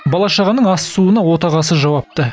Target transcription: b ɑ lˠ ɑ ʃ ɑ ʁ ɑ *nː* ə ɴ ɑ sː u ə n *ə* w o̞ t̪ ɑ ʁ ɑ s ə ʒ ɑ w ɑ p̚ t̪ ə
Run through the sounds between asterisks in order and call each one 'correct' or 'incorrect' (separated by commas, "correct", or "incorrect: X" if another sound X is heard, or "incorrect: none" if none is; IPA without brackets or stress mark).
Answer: incorrect: n, incorrect: ɑ